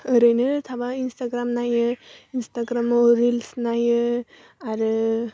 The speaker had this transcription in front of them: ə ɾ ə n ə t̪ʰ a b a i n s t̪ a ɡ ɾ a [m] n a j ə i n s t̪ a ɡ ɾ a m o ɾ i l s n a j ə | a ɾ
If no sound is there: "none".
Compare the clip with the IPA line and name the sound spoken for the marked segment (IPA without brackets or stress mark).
m